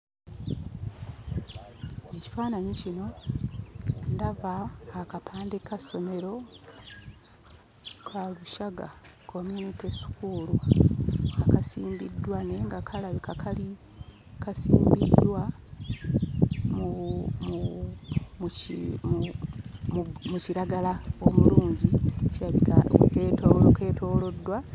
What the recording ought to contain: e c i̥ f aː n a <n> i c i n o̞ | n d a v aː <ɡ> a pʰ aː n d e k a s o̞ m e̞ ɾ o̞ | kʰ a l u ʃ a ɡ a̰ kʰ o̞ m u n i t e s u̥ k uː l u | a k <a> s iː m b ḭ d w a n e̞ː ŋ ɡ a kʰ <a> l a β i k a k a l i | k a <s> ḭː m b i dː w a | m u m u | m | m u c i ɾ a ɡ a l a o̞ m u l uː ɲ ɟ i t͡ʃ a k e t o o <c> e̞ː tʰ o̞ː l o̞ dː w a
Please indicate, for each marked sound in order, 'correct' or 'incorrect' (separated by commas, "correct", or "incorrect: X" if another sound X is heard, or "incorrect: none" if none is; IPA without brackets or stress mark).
incorrect: ɲ, incorrect: k, correct, correct, correct, incorrect: k